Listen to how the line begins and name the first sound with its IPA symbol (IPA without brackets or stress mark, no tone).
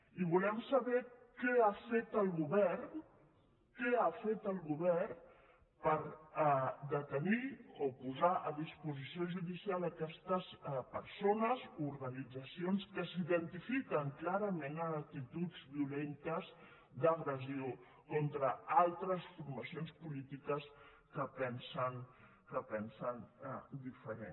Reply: i